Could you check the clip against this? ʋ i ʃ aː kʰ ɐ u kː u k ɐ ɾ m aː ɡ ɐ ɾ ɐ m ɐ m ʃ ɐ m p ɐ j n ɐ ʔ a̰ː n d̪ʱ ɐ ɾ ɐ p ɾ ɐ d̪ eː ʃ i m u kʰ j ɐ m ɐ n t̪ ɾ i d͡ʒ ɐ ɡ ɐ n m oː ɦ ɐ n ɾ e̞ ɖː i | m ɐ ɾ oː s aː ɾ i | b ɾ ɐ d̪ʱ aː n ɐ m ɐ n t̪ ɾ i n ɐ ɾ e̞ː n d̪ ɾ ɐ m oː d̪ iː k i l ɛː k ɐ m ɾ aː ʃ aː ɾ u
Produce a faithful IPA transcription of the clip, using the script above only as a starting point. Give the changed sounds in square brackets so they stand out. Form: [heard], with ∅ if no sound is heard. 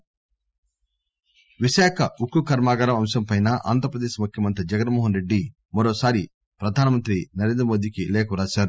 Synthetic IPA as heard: ʋ i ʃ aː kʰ ɐ u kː u k ɐ ɾ m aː ɡ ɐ ɾ ɐ m ɐ m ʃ ɐ m p ɐ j n ɐ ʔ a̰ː n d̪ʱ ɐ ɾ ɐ p ɾ ɐ d̪ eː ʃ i m u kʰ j ɐ m ɐ n t̪ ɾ i d͡ʒ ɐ ɡ ɐ n m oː ɦ ɐ n ɾ e̞ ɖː i | m ɐ ɾ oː s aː ɾ i | [p] ɾ ɐ d̪ʱ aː n ɐ m ɐ n t̪ ɾ i n ɐ ɾ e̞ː n d̪ ɾ ɐ m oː d̪ iː k i l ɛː k ɐ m ɾ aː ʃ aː ɾ u